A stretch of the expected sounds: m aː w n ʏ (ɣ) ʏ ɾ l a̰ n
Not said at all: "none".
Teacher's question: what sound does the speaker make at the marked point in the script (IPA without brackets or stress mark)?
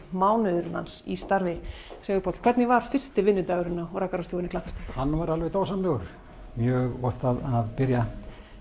ð